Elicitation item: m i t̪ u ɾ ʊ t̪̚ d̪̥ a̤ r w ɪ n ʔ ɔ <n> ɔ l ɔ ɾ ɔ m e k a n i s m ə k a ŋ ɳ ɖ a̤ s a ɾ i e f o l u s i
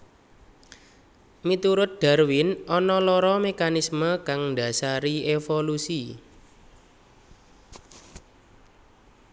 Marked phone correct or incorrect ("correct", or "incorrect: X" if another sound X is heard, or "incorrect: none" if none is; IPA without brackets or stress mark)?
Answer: correct